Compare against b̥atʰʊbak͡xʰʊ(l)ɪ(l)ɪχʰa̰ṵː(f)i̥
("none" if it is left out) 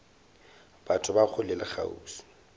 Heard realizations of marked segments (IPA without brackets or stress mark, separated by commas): l, l, s